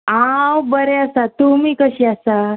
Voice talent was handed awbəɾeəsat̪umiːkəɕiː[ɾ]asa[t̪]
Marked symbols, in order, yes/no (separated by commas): no, no